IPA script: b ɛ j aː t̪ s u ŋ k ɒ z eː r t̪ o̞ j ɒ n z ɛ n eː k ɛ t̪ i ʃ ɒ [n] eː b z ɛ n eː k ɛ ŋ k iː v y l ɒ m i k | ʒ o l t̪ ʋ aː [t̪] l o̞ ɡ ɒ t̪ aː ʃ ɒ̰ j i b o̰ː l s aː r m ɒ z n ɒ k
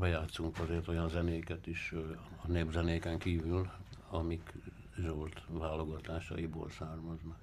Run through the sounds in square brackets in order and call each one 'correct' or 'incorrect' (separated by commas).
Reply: correct, incorrect